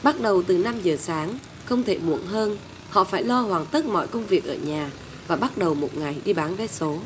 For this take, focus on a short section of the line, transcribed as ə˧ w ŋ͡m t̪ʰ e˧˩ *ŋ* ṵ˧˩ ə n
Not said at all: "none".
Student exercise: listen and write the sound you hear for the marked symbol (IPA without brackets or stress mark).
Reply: m